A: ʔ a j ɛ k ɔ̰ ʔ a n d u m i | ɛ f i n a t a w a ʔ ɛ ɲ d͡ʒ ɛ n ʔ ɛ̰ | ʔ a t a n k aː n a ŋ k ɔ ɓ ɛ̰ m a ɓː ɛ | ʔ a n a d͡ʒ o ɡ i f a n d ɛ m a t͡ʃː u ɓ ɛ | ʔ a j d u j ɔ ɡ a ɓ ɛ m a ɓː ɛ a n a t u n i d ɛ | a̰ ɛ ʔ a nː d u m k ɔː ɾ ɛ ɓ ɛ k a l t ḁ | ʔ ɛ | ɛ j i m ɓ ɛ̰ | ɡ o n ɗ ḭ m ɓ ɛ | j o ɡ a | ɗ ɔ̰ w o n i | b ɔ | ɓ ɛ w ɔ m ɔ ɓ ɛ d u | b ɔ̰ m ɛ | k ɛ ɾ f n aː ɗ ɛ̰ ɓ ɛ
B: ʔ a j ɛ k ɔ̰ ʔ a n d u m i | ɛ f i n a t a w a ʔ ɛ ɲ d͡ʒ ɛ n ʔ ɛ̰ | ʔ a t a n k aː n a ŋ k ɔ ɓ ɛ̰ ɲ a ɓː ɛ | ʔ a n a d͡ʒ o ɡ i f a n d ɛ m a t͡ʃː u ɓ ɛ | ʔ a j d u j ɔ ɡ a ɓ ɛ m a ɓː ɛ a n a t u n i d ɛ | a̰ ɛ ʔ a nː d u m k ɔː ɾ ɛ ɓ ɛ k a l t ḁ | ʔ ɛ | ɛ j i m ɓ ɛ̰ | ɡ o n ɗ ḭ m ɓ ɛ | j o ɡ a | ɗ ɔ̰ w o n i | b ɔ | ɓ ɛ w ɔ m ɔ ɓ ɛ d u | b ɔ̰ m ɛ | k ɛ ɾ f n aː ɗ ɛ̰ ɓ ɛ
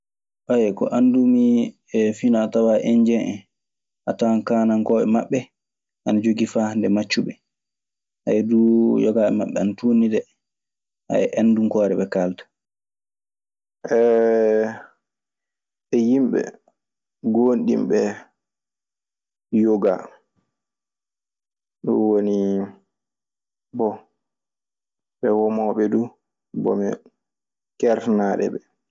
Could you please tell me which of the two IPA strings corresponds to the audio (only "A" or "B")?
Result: A